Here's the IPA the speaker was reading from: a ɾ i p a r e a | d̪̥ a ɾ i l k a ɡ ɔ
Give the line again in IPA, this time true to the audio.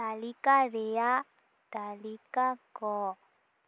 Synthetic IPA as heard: a l i k a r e a | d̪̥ a l i k a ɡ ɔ